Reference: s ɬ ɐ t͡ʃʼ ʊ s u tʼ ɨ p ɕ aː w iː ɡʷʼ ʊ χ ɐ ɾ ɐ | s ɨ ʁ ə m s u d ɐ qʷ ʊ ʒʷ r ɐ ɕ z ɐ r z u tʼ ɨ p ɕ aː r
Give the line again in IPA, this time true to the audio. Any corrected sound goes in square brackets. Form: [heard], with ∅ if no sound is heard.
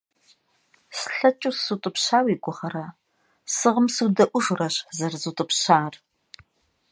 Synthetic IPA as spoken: s ɬ ɐ t͡ʃʼ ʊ s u tʼ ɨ p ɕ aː w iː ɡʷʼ ʊ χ ɐ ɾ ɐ | s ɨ ʁ ə m s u d ɐ [ʔʷ] ʊ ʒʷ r ɐ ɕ z ɐ r z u tʼ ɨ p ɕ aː r

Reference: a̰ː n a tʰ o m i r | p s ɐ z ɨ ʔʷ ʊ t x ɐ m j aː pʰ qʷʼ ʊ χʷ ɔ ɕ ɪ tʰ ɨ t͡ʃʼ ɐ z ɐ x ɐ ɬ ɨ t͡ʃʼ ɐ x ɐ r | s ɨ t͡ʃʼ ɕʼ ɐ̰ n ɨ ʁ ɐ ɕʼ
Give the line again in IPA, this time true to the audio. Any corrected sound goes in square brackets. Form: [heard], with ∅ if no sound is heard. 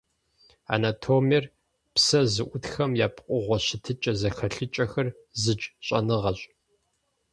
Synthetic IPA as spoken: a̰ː n a tʰ o m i r | p s ɐ z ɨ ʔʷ ʊ t x ɐ m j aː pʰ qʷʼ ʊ [ʁʷ] ɔ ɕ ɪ tʰ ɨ t͡ʃʼ ɐ z ɐ x ɐ ɬ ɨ t͡ʃʼ ɐ x ɐ r | [z] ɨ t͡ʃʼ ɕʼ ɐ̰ n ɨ ʁ ɐ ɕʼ

